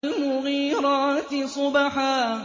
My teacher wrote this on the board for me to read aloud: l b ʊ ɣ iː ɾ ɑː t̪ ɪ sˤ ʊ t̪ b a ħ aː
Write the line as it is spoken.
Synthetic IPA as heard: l m ʊ ɣ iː ɾ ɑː t̪ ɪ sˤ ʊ b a ħ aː

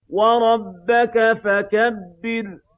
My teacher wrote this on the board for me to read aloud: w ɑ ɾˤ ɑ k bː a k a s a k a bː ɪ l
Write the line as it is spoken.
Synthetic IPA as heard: w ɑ ɾˤ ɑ bː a k a f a k a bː ɪ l

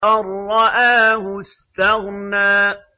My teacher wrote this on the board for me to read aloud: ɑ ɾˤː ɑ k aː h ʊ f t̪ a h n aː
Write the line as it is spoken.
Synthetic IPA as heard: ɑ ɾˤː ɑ ʔ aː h ʊ s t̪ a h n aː

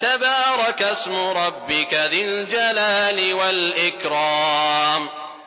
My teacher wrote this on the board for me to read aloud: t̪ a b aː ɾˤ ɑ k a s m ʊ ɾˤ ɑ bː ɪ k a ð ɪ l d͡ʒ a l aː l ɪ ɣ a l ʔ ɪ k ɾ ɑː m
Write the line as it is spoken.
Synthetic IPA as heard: t̪ a b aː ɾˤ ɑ k a s m ʊ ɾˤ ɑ bː ɪ k a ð ɪ l d͡ʒ a l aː l ɪ w a l ʔ ɪ k ɾ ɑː m

